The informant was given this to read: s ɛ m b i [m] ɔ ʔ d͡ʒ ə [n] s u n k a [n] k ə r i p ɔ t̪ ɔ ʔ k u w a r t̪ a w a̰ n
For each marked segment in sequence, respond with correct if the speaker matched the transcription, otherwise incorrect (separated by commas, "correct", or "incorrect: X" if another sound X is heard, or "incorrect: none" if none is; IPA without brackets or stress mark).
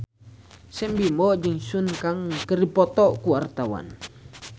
correct, incorrect: ŋ, incorrect: ŋ